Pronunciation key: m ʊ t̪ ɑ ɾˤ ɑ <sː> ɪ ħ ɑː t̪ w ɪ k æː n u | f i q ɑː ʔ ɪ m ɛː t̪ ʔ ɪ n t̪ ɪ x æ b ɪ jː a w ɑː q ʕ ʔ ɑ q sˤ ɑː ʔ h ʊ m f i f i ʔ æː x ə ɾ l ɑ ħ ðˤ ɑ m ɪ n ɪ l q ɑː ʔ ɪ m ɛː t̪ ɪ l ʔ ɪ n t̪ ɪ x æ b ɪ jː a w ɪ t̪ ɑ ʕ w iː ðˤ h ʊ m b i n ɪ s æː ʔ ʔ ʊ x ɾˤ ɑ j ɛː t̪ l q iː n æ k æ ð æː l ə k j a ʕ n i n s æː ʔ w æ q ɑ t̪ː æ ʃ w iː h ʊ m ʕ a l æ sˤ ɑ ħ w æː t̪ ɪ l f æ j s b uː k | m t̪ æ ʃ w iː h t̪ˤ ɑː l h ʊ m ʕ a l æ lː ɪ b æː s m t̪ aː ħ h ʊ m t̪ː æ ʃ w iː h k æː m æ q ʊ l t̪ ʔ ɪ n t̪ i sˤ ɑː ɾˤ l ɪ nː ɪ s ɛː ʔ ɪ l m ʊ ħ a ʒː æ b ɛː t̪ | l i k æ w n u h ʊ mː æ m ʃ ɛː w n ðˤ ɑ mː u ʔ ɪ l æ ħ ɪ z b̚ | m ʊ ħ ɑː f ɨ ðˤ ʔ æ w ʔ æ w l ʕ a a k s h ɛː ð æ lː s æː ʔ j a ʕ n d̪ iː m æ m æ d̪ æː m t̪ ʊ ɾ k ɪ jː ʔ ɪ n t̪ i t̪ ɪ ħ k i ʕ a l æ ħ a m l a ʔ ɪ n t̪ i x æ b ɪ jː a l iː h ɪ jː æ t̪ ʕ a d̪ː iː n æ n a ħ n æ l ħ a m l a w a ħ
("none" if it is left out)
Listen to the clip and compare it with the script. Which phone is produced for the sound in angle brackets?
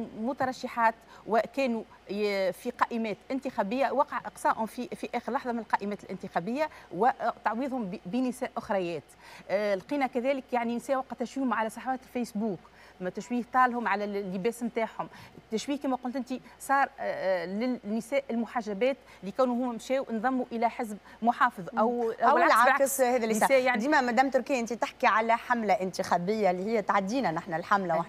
ʃː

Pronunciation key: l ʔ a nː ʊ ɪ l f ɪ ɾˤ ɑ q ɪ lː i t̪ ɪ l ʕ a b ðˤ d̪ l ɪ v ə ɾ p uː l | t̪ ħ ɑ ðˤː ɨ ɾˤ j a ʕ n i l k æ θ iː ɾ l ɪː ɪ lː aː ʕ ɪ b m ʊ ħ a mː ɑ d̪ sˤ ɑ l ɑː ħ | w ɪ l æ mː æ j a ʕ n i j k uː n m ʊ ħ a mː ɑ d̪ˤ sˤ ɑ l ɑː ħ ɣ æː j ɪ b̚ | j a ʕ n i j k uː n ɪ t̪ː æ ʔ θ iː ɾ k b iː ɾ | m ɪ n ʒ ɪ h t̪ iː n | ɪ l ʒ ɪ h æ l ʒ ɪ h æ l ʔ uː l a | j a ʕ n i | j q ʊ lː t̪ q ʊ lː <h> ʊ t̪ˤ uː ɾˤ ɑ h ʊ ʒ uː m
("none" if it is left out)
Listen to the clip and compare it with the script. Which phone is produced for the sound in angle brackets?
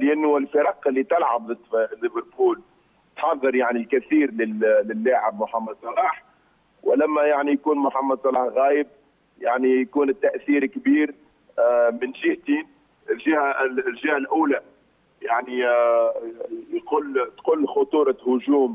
x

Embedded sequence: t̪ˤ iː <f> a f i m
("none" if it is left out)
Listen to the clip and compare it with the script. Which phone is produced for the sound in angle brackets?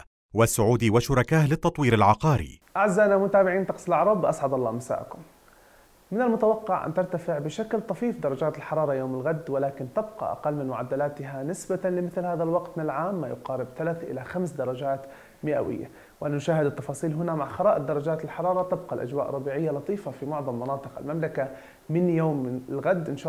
f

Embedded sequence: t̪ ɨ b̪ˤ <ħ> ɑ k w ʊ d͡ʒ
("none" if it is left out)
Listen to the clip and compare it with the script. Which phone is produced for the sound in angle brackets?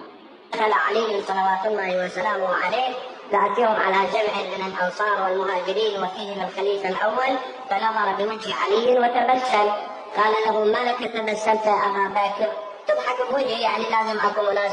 ħ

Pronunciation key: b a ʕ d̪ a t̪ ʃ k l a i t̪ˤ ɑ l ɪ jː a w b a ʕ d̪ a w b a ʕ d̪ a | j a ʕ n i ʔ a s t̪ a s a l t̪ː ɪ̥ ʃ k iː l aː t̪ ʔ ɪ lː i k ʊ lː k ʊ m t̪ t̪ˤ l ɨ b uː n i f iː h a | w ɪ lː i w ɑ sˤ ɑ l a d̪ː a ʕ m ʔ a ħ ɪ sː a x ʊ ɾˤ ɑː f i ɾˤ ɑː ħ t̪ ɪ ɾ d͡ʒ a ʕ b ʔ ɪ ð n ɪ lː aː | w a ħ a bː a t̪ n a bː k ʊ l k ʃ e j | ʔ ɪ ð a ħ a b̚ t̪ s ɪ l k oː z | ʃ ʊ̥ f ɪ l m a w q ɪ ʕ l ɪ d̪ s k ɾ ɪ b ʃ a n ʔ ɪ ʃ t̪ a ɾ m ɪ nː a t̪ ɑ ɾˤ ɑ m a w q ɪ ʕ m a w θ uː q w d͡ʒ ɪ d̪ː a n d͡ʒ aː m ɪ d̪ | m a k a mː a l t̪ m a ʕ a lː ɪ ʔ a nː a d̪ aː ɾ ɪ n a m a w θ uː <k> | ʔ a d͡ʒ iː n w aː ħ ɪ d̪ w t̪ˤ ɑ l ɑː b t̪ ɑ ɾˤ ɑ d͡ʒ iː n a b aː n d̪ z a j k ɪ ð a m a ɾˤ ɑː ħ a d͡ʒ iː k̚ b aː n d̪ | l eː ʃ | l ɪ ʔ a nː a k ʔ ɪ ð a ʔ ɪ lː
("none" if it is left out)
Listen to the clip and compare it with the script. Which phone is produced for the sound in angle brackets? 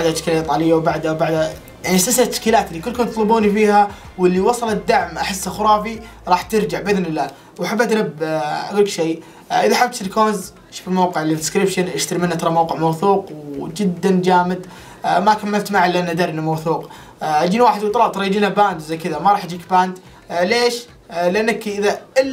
q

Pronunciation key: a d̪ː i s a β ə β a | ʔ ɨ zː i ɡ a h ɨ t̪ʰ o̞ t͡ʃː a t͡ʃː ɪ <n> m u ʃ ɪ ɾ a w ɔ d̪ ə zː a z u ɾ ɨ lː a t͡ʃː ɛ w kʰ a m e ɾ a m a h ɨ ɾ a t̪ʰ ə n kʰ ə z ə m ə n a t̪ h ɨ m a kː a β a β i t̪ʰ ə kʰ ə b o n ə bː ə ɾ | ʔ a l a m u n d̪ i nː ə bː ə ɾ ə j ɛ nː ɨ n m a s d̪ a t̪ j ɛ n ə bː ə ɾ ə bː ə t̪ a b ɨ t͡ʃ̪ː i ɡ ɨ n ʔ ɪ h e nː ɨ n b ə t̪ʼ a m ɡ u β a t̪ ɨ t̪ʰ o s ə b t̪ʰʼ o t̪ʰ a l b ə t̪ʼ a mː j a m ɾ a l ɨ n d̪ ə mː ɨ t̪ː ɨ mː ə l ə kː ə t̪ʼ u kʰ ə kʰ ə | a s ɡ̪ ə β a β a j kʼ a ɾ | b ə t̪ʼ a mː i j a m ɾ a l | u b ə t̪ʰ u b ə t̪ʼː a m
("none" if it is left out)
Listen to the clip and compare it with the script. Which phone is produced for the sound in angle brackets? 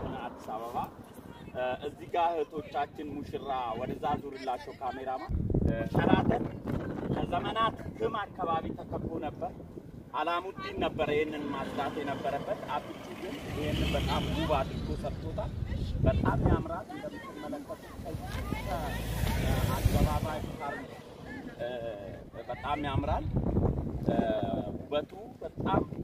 n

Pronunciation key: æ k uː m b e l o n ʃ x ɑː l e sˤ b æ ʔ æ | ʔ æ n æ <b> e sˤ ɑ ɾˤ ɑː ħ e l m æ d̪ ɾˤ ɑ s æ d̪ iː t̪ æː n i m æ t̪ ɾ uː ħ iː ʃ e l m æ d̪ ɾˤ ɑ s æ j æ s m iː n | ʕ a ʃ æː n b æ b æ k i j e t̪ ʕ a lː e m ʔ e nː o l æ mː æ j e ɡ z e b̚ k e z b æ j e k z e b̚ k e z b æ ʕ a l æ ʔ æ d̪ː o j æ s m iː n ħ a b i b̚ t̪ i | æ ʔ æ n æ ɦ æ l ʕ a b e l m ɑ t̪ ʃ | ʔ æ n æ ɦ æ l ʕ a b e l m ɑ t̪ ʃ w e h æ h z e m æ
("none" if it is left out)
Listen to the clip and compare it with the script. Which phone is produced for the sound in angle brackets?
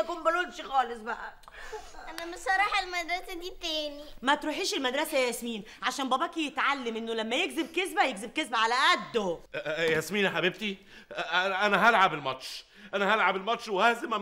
m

